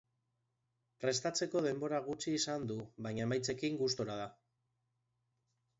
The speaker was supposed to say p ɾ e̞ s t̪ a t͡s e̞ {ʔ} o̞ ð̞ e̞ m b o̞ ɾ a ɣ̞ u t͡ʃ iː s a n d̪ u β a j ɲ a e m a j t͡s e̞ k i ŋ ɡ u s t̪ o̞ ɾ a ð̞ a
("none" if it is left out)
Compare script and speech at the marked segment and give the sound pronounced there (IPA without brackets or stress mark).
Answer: k